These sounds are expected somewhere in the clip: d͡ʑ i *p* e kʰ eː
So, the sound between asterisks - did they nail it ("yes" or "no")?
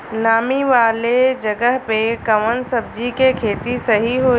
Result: no